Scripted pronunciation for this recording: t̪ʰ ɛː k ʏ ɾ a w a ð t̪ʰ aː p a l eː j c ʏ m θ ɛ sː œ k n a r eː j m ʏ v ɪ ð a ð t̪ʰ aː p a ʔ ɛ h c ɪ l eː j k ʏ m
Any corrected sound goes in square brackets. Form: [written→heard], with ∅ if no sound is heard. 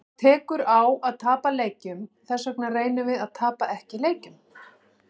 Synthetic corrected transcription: t̪ʰ ɛː k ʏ ɾ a w a ð t̪ʰ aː p a l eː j c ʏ m θ ɛ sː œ k n a r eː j [m→n] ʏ v ɪ ð a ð t̪ʰ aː p a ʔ ɛ h c ɪ l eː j [k→c] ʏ m